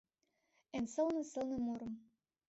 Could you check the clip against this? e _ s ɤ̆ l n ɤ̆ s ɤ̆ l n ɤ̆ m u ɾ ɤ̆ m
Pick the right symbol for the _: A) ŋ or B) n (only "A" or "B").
B